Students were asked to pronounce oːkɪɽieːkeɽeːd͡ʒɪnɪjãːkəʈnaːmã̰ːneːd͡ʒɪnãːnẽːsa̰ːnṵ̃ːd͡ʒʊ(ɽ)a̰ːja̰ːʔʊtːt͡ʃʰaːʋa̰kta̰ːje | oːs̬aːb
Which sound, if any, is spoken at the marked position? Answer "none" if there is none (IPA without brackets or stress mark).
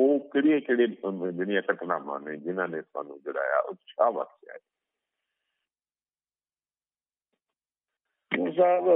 ɽ